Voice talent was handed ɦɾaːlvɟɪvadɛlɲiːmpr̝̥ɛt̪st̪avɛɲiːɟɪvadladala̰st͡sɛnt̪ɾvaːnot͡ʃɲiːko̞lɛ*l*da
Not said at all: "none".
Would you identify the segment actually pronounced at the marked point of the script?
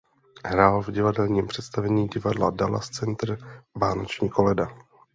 none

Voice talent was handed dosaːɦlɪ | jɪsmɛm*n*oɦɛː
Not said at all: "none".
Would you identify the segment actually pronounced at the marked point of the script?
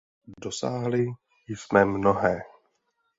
n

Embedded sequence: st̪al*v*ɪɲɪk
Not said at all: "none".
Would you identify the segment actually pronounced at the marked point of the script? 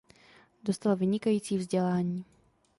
v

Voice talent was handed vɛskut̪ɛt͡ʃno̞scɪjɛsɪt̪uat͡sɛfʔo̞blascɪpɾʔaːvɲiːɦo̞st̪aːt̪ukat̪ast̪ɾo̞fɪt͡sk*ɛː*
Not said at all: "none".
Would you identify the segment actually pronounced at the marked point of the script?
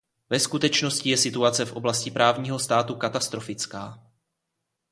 aː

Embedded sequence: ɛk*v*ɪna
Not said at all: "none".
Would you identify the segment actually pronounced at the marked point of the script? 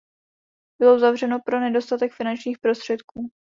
f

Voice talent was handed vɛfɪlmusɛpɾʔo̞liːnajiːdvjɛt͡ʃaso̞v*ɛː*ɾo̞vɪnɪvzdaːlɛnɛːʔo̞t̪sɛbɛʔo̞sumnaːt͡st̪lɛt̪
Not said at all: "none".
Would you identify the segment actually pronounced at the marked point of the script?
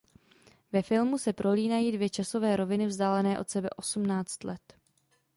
ɛː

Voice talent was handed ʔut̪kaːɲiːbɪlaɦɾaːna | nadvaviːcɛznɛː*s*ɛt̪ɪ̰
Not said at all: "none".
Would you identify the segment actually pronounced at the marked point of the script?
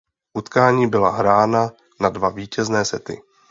s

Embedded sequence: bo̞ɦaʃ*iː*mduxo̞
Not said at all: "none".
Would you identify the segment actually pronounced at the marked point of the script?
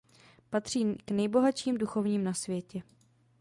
iː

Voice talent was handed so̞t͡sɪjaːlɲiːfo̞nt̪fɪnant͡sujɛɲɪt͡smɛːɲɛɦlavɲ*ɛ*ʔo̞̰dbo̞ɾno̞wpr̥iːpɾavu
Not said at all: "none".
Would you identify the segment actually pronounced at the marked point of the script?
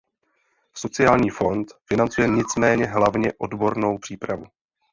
ɛ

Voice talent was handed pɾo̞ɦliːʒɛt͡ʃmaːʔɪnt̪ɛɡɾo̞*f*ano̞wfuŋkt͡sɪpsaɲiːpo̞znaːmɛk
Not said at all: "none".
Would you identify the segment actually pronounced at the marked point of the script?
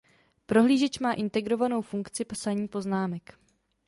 v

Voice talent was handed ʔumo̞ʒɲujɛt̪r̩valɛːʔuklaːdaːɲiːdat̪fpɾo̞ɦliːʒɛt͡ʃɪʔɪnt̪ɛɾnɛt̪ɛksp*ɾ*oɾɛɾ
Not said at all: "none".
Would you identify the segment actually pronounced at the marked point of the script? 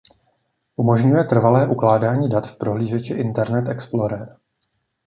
l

